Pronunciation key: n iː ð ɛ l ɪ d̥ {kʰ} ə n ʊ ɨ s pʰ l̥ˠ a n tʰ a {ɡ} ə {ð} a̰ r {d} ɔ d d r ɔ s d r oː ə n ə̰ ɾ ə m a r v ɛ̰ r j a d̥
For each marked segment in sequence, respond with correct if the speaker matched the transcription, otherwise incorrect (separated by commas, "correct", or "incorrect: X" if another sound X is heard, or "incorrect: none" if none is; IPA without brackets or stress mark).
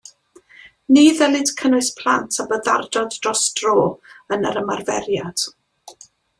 correct, incorrect: b, correct, correct